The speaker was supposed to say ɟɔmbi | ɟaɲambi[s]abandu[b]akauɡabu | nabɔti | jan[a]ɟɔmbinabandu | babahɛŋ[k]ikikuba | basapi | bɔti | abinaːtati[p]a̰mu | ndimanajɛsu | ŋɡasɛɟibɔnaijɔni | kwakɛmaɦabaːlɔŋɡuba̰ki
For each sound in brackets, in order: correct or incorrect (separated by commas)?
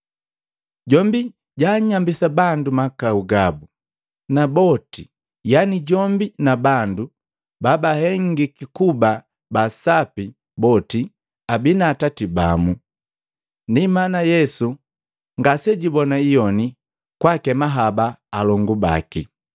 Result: correct, incorrect, incorrect, incorrect, incorrect